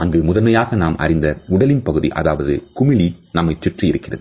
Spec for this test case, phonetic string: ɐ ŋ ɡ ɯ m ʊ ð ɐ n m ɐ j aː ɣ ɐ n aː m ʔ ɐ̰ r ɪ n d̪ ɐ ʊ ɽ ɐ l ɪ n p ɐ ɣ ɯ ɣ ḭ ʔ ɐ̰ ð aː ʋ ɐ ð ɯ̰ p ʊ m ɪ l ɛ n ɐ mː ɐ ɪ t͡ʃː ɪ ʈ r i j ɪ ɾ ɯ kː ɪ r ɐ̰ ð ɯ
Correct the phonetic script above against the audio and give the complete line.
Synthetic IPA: ɐ ŋ ɡ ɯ m ʊ ð ɐ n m ɐ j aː ɣ ɐ n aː m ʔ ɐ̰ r ɪ n d̪ ɐ ʊ ɽ ɐ l ɪ n p ɐ ɣ ɯ ð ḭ ʔ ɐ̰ ð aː ʋ ɐ ð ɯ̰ k ʊ m ɪ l i n ɐ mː ɐ ɪ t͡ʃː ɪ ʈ r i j ɪ ɾ ɯ kː ɪ r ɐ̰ ð ɯ